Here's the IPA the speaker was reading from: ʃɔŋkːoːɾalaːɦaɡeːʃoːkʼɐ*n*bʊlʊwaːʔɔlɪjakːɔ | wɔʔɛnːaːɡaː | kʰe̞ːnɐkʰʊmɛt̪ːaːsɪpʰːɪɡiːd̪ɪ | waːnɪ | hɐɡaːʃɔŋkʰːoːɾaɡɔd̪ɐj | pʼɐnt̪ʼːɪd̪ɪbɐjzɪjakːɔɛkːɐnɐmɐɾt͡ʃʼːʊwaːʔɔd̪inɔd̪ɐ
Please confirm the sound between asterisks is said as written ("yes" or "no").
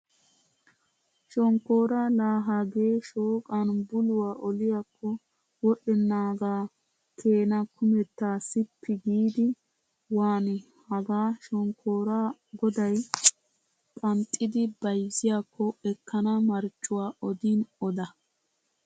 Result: yes